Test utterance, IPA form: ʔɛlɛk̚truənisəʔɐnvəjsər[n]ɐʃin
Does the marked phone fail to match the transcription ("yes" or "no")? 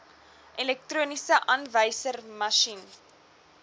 yes